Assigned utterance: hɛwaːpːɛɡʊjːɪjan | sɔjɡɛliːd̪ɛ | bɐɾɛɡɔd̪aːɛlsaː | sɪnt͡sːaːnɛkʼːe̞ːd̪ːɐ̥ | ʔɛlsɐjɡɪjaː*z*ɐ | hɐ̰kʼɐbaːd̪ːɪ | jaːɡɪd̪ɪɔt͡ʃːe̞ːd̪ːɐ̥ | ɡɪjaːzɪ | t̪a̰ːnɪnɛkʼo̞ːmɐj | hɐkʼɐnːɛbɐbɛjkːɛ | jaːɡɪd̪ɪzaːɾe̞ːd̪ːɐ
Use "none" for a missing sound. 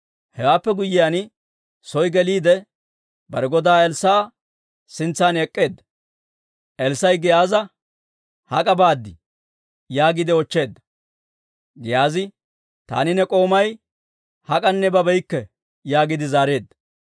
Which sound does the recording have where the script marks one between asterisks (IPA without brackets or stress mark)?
z